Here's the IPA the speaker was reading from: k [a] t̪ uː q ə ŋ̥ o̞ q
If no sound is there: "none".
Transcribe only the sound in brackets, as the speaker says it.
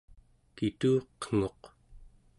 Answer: i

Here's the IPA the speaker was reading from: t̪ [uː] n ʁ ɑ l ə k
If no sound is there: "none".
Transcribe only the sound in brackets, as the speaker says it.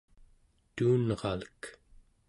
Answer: uː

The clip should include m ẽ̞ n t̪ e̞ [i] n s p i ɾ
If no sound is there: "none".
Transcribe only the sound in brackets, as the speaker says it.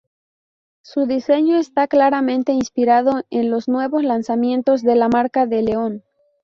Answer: i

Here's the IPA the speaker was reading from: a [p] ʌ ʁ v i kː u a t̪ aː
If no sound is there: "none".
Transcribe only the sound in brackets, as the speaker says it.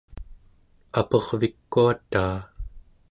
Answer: p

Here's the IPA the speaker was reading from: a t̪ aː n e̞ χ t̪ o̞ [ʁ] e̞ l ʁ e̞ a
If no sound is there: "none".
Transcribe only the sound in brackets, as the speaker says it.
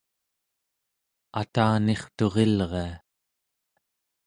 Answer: ʁ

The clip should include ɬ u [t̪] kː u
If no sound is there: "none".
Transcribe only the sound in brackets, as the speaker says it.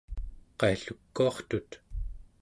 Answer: none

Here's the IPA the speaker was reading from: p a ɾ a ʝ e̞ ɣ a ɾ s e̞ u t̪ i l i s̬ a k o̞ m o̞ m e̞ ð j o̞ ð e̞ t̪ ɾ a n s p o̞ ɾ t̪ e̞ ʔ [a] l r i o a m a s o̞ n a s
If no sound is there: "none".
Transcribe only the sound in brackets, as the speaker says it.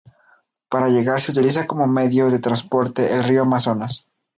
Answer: e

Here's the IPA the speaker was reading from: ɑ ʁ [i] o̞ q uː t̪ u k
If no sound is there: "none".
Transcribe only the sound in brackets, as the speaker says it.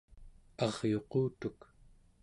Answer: j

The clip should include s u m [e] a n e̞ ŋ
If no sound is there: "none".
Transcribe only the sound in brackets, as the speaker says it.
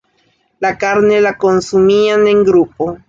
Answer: i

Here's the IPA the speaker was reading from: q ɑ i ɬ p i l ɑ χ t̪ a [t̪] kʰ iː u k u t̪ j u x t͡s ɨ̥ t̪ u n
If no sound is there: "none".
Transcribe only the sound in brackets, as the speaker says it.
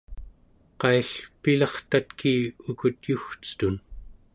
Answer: t̪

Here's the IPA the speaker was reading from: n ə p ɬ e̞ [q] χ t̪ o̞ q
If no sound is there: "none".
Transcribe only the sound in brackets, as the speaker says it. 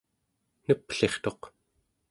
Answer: none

